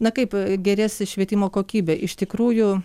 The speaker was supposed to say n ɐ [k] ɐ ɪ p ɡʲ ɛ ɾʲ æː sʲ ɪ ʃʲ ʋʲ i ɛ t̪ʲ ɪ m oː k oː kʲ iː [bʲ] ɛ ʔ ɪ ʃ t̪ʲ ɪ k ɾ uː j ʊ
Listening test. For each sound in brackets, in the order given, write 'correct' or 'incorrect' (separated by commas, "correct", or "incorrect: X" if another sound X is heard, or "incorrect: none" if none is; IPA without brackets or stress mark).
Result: correct, correct